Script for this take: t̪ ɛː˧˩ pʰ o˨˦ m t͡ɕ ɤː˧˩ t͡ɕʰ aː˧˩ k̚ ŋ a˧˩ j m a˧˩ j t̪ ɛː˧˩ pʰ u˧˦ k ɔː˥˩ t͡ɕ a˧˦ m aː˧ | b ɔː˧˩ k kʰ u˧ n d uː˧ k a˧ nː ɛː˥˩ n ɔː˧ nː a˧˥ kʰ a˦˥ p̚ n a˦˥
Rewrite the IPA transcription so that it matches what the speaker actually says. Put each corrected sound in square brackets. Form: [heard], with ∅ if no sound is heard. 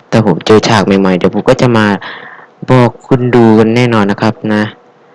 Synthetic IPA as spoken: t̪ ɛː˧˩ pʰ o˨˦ m t͡ɕ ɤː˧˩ t͡ɕʰ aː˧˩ k̚ [m] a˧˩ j m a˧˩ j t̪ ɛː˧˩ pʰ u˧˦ k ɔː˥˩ t͡ɕ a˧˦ m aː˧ | b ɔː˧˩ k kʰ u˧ n d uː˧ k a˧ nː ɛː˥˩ n ɔː˧ nː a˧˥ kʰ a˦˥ p̚ n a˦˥